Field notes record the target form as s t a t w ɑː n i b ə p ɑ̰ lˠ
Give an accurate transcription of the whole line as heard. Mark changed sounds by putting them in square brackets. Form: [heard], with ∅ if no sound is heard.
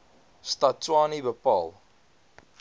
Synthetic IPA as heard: s t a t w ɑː n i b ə p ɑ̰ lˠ